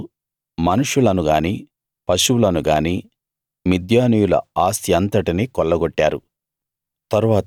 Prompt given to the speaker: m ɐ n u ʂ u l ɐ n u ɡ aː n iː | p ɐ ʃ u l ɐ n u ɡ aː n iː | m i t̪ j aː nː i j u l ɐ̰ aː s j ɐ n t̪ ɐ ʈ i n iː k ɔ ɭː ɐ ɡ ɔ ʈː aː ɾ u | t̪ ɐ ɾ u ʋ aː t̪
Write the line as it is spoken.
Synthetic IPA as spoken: m ɐ n u ʂ u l ɐ n u ɡ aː n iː | p ɐ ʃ u l ɐ n u ɡ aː n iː | m i d̪ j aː n i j u l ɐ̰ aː s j ɐ n t̪ ɐ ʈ i n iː k ɔ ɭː ɐ ɡ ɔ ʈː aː ɾ u | t̪ ɐ ɾ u ʋ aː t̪